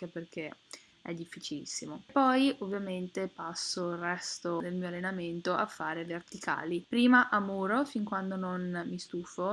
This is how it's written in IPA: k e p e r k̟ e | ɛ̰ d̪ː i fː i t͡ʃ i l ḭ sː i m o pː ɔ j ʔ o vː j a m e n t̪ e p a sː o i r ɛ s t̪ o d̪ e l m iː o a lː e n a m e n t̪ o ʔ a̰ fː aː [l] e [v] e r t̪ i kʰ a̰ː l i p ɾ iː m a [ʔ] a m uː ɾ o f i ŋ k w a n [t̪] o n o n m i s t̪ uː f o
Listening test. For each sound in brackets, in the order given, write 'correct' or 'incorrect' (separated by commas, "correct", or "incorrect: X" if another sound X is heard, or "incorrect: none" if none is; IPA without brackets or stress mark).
incorrect: ɾ, correct, correct, incorrect: d̪